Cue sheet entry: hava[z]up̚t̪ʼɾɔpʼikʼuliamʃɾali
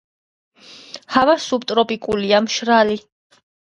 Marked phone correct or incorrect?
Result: incorrect